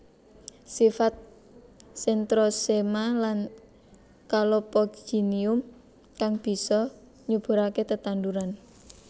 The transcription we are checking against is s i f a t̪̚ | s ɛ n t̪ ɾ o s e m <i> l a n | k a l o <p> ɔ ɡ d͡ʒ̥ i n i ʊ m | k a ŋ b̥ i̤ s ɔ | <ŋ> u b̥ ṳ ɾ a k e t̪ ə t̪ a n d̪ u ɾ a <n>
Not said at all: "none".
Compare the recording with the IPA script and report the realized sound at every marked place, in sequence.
a, p, ɲ, n

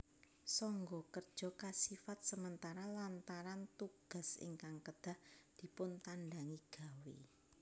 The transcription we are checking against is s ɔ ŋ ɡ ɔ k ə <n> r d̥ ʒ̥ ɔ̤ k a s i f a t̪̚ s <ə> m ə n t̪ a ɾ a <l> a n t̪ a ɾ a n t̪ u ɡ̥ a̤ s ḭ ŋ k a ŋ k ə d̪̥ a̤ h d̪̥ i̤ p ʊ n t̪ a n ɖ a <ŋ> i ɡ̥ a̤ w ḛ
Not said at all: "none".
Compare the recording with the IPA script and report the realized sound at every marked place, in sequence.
none, ə, l, ŋ

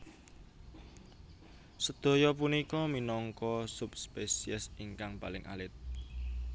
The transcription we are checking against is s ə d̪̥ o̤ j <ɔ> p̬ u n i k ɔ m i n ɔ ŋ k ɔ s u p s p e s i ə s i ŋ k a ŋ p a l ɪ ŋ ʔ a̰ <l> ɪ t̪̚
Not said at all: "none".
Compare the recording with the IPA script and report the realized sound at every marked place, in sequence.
ɔ, l

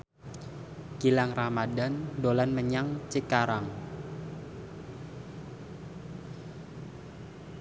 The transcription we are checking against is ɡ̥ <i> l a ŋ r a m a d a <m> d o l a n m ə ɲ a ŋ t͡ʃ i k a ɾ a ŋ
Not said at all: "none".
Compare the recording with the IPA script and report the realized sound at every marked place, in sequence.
i, n

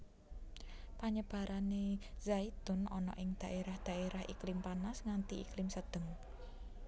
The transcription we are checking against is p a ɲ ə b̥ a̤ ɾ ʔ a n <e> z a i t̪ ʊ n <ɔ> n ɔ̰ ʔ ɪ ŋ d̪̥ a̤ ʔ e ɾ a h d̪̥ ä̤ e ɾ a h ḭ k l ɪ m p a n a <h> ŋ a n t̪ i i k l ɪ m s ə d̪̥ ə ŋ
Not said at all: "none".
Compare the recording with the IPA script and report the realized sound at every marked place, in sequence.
e, ɔ, s

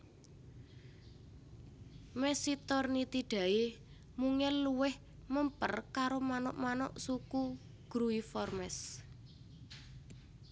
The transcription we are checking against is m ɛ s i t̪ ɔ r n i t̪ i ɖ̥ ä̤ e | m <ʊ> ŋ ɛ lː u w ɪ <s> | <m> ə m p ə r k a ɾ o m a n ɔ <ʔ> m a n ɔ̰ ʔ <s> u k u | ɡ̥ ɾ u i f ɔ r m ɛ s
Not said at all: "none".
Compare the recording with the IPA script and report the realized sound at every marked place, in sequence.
u, h, m, ʔ, s

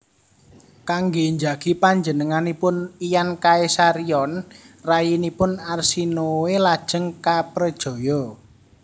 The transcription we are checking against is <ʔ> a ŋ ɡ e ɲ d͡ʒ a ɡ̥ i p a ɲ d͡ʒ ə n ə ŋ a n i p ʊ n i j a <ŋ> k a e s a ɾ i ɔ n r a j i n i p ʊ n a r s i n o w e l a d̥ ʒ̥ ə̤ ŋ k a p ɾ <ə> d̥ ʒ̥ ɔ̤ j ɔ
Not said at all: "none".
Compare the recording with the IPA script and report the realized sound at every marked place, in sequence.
k, n, ə

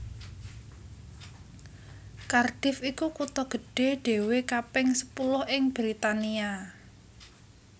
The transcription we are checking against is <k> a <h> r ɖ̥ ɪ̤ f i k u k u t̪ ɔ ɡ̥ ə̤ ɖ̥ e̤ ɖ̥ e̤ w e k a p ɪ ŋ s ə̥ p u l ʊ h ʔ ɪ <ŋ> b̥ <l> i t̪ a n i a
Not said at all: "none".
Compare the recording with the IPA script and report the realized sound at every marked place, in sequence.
k, none, ŋ, ɾ

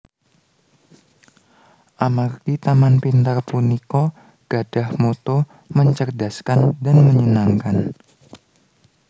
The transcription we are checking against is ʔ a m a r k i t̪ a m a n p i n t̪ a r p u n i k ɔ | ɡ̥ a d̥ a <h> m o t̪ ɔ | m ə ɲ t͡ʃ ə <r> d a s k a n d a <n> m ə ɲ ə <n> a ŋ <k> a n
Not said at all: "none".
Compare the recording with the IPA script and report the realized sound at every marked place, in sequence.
h, r, n, n, k

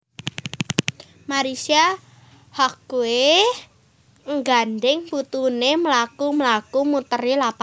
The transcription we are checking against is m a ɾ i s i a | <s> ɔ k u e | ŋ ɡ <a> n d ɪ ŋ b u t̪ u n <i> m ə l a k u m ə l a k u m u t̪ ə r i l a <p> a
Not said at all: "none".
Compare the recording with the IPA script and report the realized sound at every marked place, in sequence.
h, a, e, p

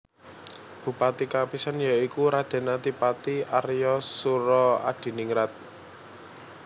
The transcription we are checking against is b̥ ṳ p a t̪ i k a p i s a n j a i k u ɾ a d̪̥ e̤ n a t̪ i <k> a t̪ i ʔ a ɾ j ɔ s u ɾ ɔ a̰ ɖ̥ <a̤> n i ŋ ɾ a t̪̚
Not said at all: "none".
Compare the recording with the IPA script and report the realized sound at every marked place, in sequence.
p, i̤

